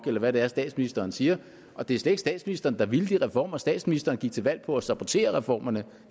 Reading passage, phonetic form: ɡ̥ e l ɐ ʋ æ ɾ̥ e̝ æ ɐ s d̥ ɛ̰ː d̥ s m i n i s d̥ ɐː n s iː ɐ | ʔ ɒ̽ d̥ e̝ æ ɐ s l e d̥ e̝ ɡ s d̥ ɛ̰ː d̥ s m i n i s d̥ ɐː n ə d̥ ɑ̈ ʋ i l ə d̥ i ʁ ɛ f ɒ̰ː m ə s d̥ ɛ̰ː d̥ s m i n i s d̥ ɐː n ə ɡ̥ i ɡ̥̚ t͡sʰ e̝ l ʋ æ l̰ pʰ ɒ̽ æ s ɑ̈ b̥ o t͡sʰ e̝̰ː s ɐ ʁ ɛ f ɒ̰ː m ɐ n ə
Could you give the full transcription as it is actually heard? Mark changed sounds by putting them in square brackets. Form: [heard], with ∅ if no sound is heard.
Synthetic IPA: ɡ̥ e l ɐ ʋ æ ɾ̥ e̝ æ ɐ s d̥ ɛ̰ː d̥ s m i n i s d̥ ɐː n s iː ɐ | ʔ ɒ̽ d̥ e̝ æ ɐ s l e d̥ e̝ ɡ s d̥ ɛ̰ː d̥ s m i n i s d̥ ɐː n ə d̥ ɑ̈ ʋ i l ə d̥ i ʁ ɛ f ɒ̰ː m [ɐ] s d̥ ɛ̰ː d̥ s m i n i s d̥ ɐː n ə ɡ̥ i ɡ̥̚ t͡sʰ e̝ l ʋ æ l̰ pʰ ɒ̽ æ s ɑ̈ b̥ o t͡sʰ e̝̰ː [∅] ɐ ʁ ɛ f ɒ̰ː m ɐ n ə